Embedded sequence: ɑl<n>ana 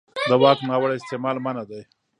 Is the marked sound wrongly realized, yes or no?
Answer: yes